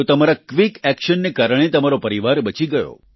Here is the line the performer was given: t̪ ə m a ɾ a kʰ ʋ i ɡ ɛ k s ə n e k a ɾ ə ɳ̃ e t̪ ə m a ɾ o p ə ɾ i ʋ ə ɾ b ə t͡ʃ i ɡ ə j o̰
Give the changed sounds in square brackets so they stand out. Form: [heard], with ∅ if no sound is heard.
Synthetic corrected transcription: t̪ ə m a ɾ a [k] ʋ i [k] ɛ k [ʃ] ə [nː] e k a ɾ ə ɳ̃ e t̪ ə m a ɾ o p ə ɾ i ʋ [a] ɾ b ə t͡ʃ i ɡ ə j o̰